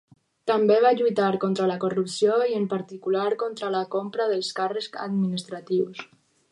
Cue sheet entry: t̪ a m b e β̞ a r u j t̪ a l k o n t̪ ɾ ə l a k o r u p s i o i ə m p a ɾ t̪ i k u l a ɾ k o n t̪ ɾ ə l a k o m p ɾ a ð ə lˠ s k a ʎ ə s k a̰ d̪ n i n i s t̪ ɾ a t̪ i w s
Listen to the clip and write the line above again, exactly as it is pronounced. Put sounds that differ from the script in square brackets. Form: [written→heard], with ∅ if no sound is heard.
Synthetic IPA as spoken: t̪ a m b e β̞ a [r→ʎ] u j t̪ a [l→ɾ] k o n t̪ ɾ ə l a k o r u p s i o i ə m p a ɾ t̪ i k u l a ɾ k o n t̪ ɾ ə l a k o m p ɾ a ð ə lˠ s k a [ʎ→r] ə s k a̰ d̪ [n→m] i n i s t̪ ɾ a t̪ i w s